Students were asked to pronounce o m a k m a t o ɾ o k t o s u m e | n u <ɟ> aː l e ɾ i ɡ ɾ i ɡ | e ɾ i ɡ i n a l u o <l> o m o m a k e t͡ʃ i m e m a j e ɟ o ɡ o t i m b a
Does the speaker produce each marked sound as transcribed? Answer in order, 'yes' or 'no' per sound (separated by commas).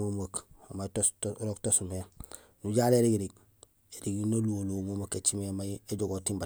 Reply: yes, yes